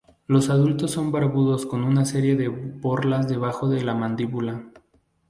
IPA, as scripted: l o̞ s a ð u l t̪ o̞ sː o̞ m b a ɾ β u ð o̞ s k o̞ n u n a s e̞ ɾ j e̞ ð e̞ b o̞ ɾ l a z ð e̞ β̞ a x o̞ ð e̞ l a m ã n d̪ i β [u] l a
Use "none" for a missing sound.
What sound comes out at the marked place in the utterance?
u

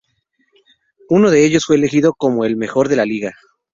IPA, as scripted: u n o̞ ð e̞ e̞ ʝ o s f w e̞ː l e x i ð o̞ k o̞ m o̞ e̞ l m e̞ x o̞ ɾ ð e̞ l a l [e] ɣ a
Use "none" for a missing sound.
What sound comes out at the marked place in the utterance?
i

